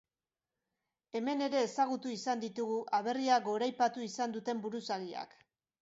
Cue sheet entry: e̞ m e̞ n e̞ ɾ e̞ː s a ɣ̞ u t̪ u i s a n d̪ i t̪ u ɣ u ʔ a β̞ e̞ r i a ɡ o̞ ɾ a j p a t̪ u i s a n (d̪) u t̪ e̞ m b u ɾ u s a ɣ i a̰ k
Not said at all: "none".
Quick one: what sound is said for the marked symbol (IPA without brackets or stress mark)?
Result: d̪